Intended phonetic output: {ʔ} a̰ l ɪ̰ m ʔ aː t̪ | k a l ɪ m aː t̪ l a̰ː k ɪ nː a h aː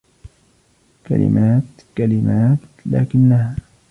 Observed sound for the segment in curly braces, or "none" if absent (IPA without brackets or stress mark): k